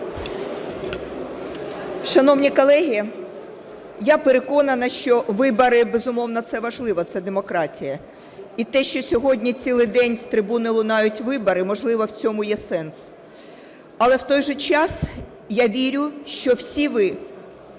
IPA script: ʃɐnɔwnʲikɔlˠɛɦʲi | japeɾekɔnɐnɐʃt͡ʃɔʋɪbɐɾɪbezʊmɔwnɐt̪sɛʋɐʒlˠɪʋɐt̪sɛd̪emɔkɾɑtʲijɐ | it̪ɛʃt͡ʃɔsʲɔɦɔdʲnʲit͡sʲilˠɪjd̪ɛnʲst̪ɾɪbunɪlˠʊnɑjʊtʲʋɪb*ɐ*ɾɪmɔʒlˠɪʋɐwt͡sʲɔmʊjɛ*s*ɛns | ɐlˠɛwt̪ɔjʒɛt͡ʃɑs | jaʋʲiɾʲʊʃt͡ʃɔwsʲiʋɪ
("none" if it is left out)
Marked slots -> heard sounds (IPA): ɐ, s

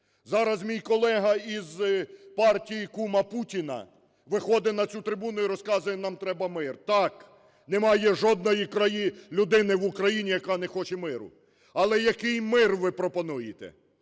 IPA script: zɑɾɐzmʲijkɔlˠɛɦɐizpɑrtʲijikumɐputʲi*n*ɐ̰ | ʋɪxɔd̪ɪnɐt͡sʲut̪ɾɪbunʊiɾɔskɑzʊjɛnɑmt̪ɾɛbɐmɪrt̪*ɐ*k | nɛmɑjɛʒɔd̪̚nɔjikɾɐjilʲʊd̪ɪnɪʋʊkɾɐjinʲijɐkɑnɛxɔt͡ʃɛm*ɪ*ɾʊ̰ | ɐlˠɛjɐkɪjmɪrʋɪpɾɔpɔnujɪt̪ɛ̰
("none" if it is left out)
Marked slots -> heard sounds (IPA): n, ɑ, ɪ

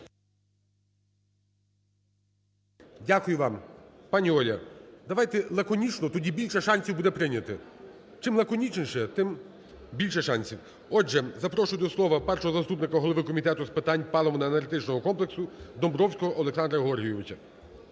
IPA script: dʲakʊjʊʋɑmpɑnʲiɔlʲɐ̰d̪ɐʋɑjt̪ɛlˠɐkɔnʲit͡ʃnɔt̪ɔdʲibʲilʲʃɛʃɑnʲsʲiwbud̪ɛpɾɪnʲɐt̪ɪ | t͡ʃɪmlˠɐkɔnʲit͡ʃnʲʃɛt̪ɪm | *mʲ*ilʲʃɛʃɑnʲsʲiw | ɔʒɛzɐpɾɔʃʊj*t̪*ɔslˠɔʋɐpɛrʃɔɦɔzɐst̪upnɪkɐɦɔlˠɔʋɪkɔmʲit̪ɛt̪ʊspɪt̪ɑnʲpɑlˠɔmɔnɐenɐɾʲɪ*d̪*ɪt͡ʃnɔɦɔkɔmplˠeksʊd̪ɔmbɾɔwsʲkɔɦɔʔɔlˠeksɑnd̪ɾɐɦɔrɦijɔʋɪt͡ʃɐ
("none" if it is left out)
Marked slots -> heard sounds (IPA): bʲ, d̪, t̪

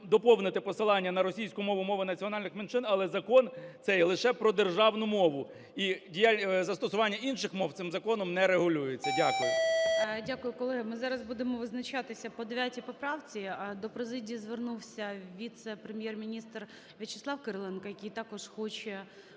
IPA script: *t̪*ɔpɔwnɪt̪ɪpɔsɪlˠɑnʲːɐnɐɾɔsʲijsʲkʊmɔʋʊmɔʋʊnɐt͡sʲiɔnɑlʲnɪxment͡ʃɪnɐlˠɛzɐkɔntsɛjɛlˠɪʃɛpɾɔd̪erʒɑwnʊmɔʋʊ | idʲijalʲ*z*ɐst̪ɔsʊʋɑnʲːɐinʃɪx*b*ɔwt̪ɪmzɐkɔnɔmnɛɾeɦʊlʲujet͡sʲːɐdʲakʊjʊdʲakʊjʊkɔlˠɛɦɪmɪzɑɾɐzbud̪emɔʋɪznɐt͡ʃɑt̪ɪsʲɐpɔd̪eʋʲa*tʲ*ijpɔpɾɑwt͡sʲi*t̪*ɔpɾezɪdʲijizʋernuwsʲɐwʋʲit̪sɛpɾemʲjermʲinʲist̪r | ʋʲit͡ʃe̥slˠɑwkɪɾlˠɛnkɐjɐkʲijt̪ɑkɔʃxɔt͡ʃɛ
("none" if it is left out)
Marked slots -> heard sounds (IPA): d̪, z, m, tʲ, d̪

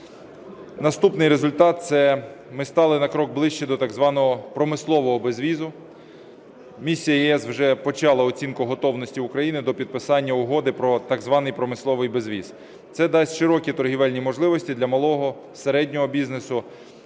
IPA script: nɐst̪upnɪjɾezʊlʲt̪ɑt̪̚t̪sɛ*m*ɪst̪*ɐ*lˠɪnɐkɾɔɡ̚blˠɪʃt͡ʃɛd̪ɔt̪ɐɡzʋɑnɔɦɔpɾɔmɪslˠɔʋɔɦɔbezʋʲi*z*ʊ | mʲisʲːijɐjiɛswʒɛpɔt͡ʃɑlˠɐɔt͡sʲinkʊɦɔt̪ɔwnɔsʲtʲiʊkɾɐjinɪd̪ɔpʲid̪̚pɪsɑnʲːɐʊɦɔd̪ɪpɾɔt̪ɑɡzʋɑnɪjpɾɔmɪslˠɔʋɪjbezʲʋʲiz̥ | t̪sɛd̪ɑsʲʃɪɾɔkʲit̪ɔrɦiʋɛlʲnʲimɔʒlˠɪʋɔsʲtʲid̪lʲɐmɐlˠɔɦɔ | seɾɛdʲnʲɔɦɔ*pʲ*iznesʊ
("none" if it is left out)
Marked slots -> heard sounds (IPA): m, ɑ, z, bʲ

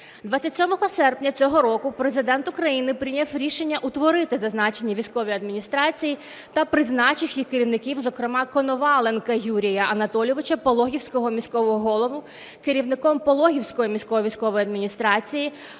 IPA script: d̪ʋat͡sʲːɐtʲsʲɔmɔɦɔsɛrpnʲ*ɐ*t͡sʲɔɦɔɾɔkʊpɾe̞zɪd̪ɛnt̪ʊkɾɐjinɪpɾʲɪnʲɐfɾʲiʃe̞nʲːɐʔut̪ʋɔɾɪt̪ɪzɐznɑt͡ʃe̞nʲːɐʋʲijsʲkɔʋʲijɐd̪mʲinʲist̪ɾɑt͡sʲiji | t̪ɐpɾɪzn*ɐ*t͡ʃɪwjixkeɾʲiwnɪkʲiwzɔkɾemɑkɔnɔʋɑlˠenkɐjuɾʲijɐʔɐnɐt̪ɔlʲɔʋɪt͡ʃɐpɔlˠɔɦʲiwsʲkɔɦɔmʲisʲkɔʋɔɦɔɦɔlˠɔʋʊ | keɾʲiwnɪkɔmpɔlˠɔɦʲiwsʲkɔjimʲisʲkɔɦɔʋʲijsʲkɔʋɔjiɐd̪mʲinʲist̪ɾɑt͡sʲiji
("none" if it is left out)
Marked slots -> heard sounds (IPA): ɐ, ɑ

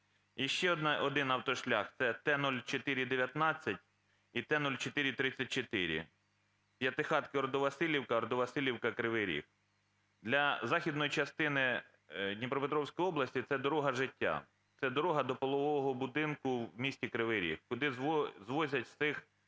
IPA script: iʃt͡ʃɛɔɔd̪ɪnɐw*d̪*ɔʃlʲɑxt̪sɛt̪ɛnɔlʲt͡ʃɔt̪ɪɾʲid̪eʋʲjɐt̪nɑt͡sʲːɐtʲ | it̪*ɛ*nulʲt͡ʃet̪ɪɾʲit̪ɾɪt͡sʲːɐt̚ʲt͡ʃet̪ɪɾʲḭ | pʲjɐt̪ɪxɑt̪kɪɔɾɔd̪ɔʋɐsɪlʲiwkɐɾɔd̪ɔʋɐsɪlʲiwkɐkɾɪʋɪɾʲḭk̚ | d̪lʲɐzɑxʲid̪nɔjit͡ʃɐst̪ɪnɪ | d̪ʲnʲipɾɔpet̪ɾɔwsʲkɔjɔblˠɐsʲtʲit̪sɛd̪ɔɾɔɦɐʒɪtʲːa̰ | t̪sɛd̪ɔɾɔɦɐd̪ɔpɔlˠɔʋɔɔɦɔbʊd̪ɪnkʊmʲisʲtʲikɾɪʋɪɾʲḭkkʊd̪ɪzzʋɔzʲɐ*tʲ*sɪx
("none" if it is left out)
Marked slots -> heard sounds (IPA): t̪, ɛ, tʲ

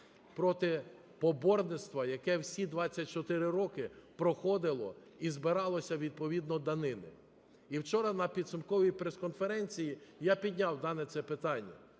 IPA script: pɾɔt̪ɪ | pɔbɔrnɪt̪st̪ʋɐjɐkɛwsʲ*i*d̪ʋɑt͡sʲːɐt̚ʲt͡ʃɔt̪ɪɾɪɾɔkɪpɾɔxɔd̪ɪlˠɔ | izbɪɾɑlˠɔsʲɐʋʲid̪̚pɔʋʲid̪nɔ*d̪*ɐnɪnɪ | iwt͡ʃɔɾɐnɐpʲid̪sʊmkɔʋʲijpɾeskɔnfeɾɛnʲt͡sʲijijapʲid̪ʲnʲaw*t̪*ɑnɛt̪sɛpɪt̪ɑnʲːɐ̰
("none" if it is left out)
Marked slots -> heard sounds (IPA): i, d̪, d̪

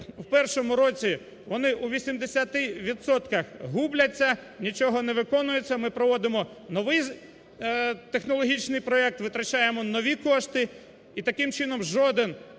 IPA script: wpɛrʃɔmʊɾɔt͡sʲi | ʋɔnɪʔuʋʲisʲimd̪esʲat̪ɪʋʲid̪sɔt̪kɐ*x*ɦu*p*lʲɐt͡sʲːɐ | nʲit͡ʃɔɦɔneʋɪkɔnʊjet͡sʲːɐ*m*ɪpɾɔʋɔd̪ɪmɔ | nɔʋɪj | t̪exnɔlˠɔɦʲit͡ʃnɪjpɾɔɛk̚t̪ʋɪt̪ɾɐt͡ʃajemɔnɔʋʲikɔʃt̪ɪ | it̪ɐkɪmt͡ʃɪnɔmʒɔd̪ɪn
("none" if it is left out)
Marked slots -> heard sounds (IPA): x, b, m

